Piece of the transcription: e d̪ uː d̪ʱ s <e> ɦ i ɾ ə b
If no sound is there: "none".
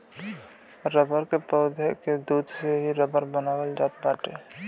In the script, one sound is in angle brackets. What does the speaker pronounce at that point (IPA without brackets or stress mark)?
e